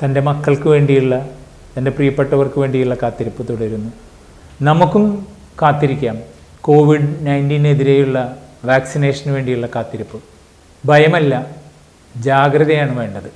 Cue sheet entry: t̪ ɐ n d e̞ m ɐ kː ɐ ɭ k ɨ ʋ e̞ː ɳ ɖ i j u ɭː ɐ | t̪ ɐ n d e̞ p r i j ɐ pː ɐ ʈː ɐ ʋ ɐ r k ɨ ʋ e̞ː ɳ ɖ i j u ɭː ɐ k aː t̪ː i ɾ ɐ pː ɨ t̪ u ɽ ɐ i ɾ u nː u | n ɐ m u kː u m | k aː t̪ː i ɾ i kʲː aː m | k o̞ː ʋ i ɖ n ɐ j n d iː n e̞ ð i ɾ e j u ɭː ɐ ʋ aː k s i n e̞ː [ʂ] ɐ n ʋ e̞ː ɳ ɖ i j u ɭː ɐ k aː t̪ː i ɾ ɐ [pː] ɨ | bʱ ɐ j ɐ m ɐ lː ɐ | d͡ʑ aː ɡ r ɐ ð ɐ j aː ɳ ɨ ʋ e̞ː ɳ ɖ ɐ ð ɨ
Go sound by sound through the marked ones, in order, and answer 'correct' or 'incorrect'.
correct, correct

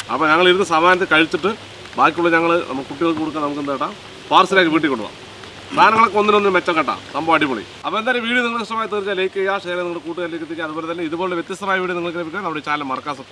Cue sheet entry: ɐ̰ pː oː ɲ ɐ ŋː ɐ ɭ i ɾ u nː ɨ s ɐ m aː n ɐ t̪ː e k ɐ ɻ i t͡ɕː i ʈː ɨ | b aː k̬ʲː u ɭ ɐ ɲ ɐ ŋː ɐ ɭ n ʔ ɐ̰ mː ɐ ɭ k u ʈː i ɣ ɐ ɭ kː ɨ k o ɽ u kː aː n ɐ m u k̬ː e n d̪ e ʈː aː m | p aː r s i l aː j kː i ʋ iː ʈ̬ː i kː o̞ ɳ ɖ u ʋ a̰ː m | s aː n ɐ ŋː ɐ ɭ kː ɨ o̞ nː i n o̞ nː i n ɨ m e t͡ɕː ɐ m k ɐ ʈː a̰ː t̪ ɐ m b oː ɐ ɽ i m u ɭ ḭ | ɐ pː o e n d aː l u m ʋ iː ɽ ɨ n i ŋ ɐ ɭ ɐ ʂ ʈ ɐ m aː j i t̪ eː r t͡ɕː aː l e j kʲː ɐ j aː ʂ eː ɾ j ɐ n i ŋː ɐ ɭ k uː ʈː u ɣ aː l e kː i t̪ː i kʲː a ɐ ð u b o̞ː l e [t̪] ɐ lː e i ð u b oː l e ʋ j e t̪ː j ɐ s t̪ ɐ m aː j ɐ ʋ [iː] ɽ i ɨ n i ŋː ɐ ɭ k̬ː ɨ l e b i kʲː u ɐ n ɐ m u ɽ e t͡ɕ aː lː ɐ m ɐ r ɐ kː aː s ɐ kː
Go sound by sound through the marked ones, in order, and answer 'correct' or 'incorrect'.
correct, correct

